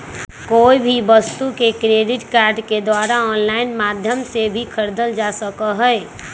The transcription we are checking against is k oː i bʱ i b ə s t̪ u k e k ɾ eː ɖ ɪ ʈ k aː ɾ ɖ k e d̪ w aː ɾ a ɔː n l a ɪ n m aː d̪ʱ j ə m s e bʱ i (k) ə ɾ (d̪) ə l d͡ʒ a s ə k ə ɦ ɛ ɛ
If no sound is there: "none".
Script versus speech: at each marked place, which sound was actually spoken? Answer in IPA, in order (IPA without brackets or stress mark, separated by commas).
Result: kʰ, d̪